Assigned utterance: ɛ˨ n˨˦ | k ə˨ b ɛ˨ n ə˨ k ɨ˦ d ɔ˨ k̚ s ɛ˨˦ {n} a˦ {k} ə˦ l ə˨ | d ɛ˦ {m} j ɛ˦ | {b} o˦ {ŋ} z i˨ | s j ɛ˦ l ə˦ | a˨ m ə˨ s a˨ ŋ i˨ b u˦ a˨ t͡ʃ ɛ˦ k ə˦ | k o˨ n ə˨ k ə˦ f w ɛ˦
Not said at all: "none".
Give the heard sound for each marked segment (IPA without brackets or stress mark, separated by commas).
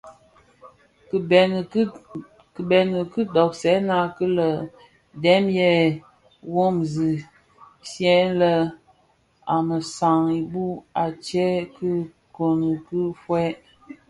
n, k, m, w, m